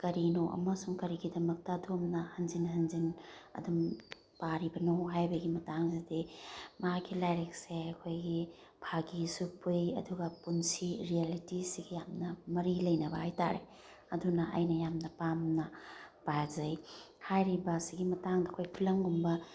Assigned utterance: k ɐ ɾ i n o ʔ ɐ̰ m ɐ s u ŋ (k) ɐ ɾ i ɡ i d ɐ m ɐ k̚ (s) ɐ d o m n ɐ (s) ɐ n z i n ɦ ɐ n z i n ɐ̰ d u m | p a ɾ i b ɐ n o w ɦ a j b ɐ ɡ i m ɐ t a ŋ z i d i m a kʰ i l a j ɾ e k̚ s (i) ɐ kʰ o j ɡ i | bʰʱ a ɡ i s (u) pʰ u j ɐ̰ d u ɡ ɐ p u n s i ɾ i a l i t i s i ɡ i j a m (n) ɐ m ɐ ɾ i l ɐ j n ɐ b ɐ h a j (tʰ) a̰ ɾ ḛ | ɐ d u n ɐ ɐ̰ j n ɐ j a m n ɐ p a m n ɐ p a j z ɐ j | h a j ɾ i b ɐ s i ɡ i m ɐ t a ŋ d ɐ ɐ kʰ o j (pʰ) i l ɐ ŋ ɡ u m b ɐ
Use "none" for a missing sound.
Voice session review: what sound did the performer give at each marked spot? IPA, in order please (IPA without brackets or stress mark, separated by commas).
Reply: k, t, h, e, u, n, t, pʰ